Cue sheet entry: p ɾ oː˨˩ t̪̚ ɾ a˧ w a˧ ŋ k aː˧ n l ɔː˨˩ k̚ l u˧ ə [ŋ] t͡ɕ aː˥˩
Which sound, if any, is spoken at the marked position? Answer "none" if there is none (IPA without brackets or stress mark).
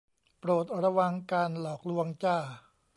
ŋ